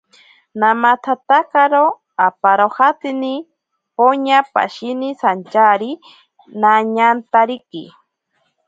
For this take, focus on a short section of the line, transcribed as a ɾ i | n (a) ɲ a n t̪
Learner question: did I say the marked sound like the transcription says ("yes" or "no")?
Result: yes